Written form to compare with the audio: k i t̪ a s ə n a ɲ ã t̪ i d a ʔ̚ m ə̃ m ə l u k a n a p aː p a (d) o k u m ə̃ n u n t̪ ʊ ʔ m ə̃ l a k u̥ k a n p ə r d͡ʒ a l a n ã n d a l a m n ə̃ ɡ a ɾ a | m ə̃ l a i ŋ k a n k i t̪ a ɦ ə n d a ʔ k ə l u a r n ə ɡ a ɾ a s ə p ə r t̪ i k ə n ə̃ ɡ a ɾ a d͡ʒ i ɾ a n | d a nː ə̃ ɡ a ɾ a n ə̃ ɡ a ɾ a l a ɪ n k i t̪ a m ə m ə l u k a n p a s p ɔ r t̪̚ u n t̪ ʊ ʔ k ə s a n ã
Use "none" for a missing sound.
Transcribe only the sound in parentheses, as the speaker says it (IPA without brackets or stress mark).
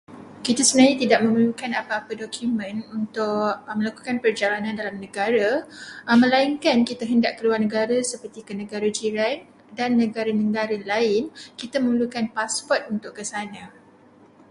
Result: d